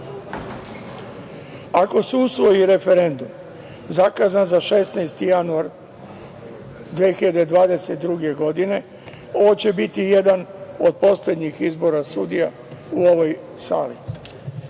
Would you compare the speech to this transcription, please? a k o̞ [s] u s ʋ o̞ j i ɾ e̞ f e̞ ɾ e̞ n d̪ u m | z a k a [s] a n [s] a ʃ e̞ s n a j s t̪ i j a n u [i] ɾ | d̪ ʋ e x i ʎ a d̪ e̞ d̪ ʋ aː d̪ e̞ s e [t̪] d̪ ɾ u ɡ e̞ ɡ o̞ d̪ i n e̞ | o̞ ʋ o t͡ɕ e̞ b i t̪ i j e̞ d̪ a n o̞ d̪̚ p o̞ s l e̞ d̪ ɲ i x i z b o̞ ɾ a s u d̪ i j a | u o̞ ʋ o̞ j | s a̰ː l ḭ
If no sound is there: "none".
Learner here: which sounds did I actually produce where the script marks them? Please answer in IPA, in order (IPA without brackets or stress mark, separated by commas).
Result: s, z, z, a, t̪